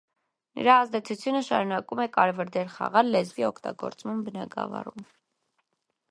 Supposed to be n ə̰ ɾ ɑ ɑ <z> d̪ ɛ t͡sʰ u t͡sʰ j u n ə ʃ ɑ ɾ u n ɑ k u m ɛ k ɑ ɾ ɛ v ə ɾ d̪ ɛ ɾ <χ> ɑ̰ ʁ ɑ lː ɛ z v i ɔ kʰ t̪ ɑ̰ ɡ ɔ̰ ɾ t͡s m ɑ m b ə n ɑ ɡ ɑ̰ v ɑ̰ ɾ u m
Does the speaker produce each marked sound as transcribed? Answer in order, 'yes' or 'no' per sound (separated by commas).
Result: yes, yes